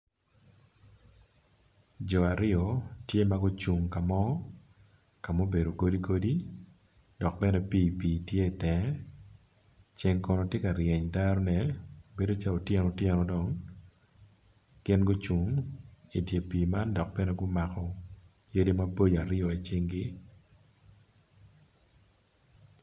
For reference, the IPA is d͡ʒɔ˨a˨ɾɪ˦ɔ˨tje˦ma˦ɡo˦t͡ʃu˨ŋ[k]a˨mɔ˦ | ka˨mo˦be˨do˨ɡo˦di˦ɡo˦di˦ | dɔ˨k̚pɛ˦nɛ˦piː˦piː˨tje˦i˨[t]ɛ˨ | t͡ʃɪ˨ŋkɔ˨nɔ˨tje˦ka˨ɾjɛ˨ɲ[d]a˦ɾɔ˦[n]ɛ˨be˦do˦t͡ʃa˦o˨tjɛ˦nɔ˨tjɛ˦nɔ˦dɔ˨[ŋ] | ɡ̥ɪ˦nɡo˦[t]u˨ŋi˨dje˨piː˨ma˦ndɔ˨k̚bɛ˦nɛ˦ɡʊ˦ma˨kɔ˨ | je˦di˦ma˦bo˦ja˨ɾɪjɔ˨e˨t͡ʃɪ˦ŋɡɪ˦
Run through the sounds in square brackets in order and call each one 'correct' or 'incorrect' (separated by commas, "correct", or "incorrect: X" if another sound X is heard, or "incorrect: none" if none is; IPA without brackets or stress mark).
correct, correct, correct, correct, correct, incorrect: t͡ʃ